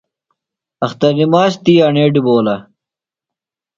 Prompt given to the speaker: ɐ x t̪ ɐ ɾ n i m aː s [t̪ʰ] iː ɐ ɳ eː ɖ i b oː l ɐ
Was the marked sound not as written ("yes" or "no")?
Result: yes